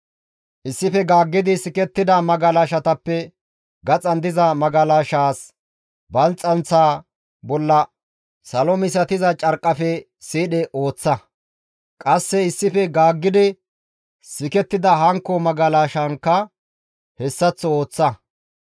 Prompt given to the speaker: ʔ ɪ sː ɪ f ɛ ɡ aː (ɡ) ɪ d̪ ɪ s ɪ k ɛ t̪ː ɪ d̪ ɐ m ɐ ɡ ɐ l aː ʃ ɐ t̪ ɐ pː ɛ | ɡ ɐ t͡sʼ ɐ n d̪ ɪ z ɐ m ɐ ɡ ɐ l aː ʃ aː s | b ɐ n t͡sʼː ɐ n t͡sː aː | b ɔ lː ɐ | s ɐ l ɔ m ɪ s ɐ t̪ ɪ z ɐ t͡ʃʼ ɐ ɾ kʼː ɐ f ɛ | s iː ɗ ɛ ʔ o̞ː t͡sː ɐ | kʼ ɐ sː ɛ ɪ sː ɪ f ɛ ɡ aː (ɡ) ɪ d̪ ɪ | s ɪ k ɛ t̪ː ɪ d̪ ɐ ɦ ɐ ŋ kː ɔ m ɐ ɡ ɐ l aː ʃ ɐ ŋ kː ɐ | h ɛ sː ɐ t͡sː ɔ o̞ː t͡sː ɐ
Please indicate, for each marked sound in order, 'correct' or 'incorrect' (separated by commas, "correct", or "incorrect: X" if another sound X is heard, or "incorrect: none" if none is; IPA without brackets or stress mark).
incorrect: ɡː, incorrect: ɡː